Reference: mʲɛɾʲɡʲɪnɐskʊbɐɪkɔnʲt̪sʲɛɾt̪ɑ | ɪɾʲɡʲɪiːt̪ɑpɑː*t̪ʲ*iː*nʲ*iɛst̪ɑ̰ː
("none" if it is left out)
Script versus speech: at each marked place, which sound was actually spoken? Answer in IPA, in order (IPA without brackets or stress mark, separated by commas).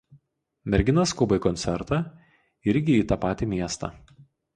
t̪ʲ, mʲ